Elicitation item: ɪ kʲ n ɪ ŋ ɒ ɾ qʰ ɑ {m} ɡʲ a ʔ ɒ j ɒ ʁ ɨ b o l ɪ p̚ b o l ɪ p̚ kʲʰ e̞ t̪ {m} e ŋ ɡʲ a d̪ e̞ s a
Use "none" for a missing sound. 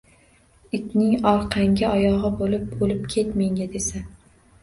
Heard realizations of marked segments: ŋ, m

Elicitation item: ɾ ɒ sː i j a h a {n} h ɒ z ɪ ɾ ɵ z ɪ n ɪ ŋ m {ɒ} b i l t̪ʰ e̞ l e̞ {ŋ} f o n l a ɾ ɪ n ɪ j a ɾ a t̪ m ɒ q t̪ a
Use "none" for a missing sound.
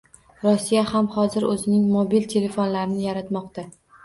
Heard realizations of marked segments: m, o, none

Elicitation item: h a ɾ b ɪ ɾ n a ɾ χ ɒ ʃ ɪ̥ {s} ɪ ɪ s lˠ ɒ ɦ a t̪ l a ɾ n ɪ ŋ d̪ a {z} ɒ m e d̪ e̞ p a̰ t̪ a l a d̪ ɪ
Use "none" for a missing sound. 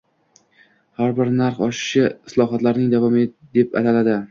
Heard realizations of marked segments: ʃ, v

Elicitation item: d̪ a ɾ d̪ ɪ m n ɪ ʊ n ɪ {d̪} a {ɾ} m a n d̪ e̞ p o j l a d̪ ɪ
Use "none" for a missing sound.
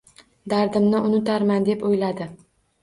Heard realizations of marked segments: t̪, ɾ

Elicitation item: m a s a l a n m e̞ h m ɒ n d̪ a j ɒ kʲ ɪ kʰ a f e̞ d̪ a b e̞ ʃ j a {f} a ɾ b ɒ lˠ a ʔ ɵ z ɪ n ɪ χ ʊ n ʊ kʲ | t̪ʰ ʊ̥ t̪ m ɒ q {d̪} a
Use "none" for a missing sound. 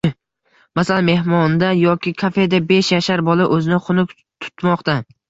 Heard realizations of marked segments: ʃ, t̪

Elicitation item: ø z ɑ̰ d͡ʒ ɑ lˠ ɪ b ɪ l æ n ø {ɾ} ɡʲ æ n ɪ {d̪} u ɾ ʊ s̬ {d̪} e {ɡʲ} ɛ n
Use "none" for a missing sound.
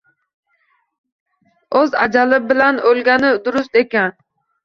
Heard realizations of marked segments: l, d̪, t̪, kʲ

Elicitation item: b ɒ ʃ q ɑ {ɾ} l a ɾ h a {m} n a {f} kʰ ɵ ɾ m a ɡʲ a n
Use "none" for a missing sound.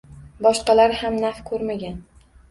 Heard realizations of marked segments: none, m, f

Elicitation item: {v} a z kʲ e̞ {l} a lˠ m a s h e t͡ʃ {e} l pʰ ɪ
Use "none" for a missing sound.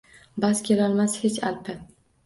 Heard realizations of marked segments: b, l, a

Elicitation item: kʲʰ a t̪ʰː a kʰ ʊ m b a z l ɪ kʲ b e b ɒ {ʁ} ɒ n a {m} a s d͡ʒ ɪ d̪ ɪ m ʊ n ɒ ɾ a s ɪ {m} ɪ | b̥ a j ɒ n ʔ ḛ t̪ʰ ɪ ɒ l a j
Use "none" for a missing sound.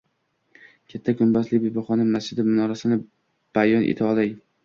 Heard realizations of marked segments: χ, m, n

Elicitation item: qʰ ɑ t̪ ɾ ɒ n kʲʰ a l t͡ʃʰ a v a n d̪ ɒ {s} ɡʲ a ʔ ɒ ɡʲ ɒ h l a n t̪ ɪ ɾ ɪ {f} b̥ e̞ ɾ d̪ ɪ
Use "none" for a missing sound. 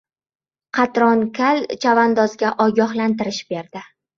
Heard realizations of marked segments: z, ʃ

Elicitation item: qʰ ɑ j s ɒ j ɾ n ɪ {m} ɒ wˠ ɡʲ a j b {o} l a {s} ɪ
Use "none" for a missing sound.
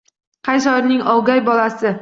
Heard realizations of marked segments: ŋ, ɒ, s

